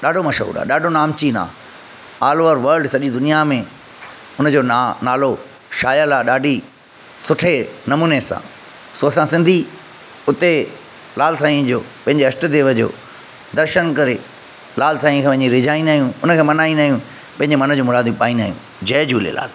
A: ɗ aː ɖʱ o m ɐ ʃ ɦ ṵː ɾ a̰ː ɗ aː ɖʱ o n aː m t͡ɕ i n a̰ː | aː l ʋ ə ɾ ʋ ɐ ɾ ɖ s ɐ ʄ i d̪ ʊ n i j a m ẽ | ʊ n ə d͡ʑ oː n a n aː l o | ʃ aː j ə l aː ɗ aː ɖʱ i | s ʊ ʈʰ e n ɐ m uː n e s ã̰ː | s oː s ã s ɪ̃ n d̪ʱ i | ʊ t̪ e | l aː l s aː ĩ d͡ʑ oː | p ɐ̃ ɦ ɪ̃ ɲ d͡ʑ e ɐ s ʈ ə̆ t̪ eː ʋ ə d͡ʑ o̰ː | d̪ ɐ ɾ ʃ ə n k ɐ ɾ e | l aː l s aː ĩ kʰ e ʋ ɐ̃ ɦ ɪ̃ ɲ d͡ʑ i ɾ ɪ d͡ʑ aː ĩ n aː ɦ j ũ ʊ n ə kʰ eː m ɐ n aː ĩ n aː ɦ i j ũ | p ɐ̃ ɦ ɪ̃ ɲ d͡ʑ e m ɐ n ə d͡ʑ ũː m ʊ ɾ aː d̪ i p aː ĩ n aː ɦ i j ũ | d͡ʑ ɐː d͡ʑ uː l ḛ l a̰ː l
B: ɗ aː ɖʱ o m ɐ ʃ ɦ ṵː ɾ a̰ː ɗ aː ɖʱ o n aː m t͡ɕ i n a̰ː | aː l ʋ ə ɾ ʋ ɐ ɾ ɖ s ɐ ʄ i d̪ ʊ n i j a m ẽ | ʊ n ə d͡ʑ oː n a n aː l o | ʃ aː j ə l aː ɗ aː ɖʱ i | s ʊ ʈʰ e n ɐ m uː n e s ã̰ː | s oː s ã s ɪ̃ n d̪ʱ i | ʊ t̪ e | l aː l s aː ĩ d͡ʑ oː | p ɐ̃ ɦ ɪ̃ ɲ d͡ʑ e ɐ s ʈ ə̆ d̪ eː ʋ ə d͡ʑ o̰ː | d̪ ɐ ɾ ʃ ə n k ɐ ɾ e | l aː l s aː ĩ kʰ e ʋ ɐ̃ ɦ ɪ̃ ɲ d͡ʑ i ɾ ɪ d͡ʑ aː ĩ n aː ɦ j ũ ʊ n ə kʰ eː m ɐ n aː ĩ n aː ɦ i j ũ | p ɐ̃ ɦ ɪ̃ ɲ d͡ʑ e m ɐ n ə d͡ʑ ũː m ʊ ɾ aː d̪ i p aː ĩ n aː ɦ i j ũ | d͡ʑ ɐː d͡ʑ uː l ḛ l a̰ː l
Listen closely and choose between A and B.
B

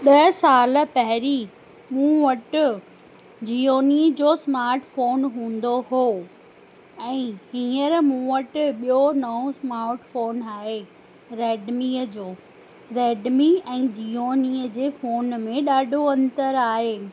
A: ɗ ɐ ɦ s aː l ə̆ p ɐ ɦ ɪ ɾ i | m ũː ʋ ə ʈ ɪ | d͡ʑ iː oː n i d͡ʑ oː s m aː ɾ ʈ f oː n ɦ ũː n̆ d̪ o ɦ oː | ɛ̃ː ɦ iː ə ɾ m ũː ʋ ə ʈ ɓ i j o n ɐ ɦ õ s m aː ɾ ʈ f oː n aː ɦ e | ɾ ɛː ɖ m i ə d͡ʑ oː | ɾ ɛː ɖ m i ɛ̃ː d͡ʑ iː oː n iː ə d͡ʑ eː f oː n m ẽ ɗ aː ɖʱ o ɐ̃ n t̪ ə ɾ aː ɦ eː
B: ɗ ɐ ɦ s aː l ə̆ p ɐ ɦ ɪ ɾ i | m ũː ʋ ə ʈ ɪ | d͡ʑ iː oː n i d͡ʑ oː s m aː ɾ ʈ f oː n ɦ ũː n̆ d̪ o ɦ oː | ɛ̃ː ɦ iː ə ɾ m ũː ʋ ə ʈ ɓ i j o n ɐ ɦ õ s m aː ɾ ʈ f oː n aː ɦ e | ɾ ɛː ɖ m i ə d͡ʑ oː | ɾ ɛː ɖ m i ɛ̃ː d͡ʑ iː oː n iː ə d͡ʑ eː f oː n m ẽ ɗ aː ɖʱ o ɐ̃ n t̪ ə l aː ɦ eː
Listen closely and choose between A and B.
A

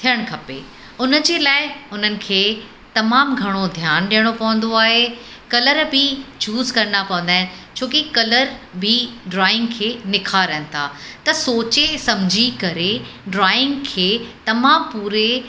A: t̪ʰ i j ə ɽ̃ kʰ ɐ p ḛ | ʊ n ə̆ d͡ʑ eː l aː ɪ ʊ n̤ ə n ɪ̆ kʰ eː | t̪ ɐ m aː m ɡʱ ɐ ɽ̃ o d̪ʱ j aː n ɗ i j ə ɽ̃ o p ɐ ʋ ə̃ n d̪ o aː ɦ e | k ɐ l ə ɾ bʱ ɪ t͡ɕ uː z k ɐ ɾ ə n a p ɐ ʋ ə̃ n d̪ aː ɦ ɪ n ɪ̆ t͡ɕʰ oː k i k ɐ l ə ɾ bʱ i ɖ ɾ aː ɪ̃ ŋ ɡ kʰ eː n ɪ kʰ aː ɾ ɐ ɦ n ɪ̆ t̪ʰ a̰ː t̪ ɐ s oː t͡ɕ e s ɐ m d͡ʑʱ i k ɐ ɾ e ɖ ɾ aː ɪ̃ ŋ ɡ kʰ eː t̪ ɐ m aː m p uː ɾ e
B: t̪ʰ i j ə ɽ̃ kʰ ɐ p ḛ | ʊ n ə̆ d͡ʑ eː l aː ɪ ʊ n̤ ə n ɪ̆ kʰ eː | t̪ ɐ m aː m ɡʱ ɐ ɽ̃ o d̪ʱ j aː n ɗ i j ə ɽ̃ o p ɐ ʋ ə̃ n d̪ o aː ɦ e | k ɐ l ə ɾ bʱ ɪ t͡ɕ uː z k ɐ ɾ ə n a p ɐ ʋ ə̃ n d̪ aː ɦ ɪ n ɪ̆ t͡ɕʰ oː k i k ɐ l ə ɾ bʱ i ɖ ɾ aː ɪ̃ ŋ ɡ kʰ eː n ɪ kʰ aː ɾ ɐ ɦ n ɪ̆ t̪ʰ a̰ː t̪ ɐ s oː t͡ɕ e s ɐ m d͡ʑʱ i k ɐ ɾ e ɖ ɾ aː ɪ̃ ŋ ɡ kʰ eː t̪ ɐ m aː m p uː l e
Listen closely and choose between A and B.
A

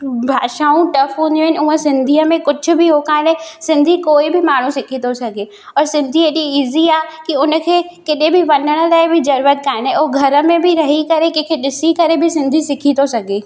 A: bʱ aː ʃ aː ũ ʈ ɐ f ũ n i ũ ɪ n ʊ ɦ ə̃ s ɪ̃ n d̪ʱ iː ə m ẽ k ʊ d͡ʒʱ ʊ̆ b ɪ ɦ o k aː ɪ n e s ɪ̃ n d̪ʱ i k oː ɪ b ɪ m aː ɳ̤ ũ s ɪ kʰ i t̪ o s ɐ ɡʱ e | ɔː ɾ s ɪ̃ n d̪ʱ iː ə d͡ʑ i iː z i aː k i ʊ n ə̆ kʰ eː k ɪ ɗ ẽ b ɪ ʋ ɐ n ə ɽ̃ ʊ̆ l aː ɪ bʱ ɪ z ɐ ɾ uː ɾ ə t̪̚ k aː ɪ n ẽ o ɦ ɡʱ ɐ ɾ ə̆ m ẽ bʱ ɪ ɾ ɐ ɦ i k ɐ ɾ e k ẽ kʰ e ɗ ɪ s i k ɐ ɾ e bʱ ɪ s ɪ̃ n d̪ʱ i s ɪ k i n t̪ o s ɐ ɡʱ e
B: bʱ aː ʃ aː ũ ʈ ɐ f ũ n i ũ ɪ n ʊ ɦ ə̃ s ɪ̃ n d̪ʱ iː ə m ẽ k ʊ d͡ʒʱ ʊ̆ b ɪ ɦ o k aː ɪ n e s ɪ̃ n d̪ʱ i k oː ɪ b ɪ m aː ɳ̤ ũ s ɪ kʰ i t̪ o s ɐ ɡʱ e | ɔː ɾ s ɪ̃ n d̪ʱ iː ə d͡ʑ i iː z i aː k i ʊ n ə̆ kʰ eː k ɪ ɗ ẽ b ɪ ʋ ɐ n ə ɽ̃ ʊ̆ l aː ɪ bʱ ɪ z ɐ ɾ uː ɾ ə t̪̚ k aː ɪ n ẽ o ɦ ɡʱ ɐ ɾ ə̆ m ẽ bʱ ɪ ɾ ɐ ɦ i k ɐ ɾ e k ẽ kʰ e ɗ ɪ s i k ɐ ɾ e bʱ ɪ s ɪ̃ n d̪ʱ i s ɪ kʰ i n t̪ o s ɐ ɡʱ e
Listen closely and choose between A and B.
B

